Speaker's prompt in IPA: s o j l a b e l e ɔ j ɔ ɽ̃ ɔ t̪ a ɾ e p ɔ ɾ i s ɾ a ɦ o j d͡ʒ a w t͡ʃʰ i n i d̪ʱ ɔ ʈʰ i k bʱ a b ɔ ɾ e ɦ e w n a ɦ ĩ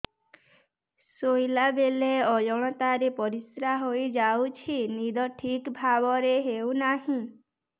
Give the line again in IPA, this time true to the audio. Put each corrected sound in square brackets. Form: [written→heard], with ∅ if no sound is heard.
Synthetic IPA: s o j l a b e l e ɔ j ɔ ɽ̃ ɔ t̪ a ɾ e p ɔ ɾ i s ɾ a ɦ o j d͡ʒ a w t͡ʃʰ i n i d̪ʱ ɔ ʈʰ i k bʱ a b ɔ ɾ e ɦ e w n a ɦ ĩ